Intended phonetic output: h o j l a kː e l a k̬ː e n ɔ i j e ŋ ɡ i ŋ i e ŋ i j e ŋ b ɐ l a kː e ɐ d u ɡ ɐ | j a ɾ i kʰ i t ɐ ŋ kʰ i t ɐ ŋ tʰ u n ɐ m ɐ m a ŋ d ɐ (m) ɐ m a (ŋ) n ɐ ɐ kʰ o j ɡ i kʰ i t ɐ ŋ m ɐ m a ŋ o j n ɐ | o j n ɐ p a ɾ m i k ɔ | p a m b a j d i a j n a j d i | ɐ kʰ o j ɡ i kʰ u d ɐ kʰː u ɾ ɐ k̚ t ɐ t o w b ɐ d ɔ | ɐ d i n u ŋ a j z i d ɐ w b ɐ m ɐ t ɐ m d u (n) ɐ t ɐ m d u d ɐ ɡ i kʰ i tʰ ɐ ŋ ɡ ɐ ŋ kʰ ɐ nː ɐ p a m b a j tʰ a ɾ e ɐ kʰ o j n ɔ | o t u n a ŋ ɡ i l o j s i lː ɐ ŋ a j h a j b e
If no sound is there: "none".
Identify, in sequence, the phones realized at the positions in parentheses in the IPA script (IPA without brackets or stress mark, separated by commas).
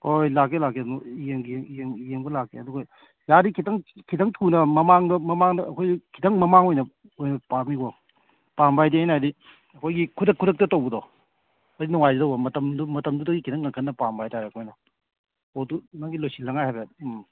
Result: m, ŋ, m